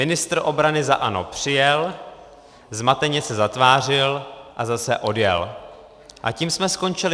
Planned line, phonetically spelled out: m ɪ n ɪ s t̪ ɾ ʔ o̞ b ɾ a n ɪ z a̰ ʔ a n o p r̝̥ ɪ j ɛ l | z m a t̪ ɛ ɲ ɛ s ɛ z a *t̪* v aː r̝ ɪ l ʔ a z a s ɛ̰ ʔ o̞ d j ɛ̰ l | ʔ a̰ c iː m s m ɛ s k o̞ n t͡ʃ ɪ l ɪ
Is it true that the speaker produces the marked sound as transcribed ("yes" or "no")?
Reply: yes